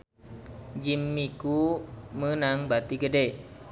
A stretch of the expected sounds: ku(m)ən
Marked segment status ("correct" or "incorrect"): correct